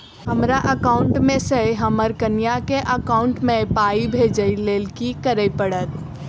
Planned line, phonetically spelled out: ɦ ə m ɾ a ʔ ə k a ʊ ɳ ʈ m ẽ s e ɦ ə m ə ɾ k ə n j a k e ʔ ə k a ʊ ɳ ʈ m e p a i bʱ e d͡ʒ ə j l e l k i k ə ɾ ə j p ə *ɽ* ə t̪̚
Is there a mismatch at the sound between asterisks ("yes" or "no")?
no